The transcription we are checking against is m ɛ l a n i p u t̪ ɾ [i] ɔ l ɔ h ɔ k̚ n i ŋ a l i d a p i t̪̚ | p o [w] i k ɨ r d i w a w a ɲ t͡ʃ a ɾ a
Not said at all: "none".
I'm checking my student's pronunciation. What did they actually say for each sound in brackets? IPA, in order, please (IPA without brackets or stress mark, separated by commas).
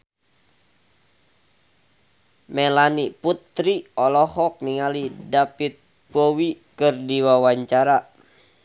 i, w